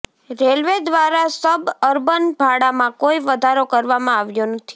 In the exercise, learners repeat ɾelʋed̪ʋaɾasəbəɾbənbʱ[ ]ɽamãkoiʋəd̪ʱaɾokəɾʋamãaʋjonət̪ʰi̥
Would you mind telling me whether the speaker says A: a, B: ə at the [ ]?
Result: A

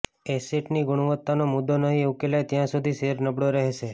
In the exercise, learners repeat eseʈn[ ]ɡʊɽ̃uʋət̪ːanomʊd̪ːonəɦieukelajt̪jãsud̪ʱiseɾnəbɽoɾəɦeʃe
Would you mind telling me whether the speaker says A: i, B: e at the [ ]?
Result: A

